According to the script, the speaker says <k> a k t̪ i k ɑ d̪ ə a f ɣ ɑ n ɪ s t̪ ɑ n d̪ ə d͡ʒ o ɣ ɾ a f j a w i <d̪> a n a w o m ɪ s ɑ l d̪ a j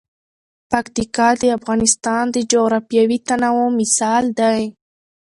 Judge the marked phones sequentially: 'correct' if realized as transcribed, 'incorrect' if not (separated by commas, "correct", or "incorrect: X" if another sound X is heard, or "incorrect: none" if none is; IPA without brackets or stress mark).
incorrect: p, incorrect: t̪